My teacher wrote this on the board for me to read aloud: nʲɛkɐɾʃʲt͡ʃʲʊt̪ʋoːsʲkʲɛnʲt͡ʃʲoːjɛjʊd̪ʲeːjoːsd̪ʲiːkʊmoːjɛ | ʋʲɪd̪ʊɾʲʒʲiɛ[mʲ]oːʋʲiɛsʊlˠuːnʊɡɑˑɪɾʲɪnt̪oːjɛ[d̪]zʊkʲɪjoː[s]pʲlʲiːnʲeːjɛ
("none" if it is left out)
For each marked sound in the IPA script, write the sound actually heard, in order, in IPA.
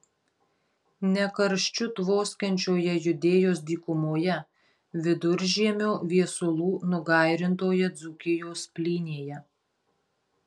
mʲ, d̪, s

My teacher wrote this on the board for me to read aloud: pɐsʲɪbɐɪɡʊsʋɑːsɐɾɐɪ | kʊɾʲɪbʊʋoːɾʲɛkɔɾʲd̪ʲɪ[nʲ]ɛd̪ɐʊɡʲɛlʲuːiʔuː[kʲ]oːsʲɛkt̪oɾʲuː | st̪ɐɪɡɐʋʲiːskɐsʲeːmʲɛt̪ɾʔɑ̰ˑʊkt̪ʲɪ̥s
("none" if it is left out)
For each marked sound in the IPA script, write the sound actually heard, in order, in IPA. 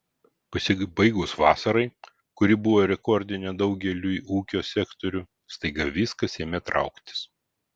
nʲ, kʲ

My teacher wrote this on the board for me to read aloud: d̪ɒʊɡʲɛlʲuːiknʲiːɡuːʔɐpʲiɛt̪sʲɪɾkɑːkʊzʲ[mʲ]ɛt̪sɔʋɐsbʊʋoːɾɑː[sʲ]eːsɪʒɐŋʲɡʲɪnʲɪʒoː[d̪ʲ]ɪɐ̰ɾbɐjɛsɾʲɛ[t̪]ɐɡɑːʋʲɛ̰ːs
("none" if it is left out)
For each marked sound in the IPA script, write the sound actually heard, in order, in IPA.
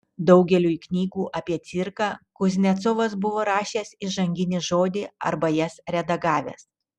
nʲ, ʃʲ, d̪ʲ, d̪

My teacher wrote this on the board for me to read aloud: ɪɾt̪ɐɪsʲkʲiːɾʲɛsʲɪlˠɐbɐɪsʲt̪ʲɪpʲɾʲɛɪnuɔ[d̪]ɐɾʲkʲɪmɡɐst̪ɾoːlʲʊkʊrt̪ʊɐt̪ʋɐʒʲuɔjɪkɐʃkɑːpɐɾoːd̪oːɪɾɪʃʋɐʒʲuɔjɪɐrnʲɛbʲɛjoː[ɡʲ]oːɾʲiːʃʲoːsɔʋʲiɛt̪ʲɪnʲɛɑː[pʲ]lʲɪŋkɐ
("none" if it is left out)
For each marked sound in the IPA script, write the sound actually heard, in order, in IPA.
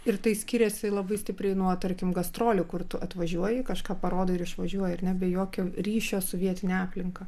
t̪, kʲ, pʲ

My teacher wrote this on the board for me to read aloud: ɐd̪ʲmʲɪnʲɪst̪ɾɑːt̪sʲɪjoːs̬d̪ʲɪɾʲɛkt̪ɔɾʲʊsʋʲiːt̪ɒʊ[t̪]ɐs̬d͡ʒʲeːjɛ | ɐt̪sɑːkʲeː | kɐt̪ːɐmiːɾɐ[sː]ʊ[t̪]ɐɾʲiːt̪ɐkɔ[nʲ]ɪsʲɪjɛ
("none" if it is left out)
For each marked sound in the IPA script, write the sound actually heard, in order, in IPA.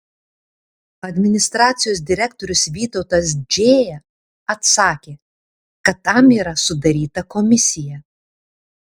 t̪, s, d̪, mʲ

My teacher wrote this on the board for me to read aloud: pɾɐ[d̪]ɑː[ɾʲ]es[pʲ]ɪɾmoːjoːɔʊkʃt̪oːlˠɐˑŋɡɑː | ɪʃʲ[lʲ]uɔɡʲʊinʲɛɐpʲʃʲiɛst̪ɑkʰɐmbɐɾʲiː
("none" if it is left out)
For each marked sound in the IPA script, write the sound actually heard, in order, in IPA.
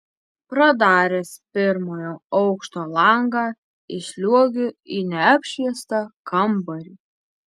d̪, ɾʲ, pʲ, lʲ

